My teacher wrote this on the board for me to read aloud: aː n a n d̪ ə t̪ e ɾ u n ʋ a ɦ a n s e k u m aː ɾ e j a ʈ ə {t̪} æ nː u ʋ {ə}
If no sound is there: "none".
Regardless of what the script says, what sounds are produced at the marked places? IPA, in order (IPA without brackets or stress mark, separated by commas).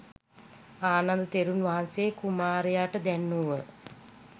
d̪, ə